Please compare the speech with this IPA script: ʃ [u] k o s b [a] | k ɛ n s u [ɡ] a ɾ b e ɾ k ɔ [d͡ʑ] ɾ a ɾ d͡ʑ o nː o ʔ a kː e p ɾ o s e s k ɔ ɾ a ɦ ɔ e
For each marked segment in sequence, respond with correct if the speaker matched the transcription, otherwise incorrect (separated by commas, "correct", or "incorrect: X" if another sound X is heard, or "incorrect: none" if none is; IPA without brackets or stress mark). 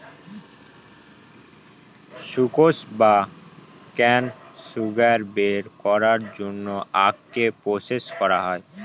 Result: correct, correct, correct, incorrect: none